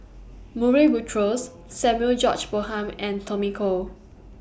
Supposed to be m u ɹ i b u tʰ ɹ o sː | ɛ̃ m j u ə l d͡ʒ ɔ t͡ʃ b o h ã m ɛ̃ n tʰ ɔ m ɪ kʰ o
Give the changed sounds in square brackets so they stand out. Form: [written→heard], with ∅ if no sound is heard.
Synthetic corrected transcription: m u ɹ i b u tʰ ɹ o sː | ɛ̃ m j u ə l d͡ʒ ɔ t͡ʃ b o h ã m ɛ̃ n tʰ ɔ m [ɪ→i] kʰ o